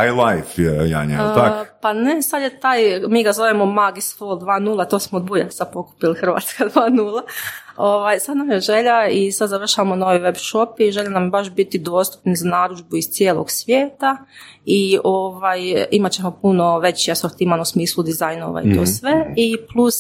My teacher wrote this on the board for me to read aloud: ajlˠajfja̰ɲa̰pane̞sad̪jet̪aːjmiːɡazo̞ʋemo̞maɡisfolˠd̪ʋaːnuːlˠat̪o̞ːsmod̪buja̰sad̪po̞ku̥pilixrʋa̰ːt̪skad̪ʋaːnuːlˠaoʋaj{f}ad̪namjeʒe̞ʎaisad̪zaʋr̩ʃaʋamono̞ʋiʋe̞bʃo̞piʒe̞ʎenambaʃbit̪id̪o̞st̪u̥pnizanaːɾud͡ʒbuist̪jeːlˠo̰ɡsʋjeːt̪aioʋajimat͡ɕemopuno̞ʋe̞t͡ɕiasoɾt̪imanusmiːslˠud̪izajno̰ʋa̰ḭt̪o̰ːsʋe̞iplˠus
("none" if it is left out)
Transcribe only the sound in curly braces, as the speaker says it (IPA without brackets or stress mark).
s